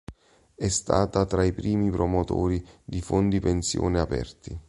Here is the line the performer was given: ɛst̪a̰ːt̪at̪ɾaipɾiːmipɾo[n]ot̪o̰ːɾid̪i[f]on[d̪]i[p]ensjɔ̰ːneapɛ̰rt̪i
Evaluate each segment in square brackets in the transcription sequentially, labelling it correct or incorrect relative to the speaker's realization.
incorrect: m, correct, correct, correct

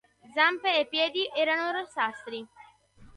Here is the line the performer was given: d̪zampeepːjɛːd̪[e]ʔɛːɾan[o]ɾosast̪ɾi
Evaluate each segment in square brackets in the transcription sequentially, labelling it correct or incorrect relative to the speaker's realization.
incorrect: i, correct

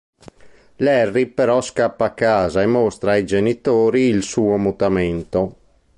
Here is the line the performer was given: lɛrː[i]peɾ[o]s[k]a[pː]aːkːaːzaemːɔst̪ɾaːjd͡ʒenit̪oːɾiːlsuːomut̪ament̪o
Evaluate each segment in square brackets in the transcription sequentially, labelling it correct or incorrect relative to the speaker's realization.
correct, incorrect: ɔ, correct, correct

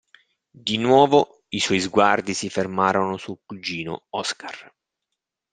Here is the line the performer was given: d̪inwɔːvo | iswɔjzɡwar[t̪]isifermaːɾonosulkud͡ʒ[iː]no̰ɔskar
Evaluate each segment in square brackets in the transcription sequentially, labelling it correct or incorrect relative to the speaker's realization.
incorrect: d̪, correct

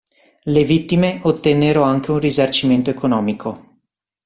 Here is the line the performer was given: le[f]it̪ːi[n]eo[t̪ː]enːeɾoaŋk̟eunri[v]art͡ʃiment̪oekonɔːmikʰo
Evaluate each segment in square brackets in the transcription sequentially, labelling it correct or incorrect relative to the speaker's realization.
incorrect: v, incorrect: m, correct, incorrect: z

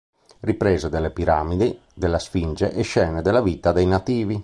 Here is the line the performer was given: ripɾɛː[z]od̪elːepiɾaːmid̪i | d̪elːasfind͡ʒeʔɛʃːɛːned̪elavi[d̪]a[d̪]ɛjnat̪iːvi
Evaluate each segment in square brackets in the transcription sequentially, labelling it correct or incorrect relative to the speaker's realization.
correct, incorrect: t̪, correct

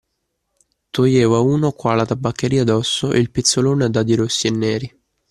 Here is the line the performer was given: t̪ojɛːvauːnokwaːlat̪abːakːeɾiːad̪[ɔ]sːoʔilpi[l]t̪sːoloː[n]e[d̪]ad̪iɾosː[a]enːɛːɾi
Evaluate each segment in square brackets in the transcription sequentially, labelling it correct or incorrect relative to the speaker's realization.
correct, incorrect: none, correct, correct, incorrect: i

